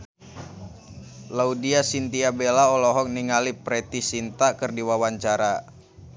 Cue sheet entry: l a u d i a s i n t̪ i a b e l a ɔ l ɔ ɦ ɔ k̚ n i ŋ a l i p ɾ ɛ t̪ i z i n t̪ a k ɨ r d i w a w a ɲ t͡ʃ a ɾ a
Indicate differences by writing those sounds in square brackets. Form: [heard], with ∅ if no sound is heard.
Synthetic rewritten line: l a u d i a s i n t̪ i a b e l a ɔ l ɔ ɦ ɔ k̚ n i ŋ a l i p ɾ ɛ t̪ i [s] i n t̪ a k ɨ r d i w a w a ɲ t͡ʃ a ɾ a